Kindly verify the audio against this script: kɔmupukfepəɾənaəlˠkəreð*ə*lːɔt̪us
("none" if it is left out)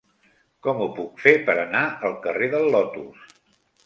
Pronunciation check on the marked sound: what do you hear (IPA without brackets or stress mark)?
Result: ə